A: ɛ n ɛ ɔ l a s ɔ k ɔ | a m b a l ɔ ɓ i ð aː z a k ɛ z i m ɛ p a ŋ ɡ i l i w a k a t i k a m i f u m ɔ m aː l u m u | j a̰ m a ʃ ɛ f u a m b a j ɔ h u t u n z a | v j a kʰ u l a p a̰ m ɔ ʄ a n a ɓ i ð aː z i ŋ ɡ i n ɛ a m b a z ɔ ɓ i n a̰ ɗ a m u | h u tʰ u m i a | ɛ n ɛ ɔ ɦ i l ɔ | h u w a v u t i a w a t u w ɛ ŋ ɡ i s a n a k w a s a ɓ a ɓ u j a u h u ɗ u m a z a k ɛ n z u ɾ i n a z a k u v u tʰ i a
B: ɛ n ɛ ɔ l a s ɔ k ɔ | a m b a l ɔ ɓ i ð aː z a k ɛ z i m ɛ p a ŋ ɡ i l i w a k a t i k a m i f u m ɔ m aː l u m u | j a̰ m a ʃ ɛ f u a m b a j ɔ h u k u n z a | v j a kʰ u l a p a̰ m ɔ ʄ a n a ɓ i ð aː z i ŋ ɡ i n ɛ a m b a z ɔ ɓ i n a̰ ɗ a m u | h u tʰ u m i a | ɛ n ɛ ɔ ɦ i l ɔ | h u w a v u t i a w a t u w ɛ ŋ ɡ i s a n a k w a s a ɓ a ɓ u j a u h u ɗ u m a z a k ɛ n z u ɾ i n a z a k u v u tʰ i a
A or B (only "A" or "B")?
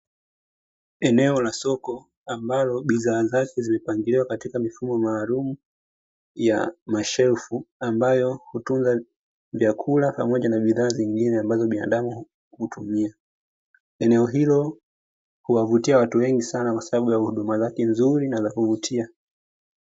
A